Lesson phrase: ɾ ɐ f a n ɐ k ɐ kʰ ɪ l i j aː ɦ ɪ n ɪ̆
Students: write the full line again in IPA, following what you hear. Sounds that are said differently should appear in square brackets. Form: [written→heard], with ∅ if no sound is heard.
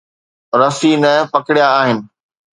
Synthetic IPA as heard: ɾ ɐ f [a→i] n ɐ [k→p] ɐ [kʰ→k] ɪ [l→ɽ] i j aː ɦ ɪ n ɪ̆